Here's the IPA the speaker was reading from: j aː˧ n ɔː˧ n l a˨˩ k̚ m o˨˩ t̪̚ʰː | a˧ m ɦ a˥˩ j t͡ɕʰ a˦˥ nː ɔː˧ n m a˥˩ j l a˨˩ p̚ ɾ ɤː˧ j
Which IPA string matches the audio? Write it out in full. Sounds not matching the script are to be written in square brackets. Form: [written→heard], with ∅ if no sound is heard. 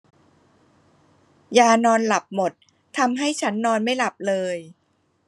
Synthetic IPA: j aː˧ n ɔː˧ n l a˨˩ [k̚→p̚] m o˨˩ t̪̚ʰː | a˧ m ɦ a˥˩ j t͡ɕʰ a˦˥ nː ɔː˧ n m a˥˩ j l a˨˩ p̚ [ɾ→l] ɤː˧ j